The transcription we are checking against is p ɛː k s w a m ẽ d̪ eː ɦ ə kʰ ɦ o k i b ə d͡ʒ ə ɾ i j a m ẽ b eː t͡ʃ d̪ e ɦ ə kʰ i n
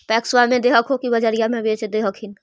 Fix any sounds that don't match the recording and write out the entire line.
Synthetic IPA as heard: p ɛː k s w a m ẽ d̪ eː ɦ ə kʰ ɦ o k i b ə d͡ʒ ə ɾ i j a m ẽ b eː t͡ʃ d̪ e ɦ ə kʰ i n